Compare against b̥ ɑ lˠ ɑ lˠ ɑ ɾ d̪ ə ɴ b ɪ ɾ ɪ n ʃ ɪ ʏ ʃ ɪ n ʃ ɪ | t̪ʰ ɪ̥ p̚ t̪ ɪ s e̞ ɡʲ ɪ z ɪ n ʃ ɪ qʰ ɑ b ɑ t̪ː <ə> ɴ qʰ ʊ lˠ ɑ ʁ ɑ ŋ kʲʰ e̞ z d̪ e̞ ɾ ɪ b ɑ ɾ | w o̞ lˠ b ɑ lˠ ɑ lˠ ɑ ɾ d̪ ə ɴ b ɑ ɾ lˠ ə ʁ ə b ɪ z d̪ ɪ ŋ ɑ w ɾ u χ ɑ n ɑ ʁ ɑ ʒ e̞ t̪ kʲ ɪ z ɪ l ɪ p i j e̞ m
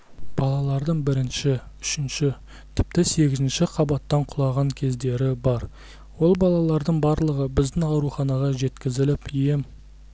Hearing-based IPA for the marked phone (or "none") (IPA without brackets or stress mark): ɑ